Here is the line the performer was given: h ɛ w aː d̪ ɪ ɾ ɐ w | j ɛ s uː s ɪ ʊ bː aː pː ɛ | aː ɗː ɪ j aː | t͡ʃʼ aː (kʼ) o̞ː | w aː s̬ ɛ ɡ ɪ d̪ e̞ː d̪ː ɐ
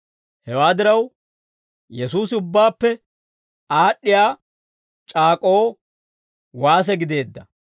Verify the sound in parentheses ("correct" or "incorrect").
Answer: correct